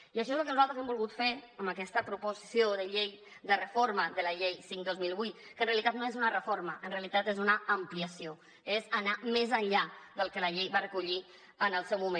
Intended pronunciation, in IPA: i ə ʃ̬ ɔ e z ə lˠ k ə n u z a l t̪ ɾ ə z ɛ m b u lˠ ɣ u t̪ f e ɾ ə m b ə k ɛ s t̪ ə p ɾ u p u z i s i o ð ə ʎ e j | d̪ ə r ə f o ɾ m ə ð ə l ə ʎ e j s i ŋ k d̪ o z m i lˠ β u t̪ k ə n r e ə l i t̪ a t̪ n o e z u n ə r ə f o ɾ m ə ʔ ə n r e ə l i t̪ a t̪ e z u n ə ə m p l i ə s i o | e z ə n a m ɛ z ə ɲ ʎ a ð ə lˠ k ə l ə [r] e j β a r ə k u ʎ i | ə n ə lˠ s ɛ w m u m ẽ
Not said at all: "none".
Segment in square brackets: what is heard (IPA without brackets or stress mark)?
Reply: ʎ